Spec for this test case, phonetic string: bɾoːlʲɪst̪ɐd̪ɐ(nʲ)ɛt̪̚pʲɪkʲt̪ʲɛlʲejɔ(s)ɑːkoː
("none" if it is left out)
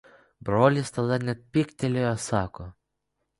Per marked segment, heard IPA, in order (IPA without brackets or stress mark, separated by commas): nʲ, s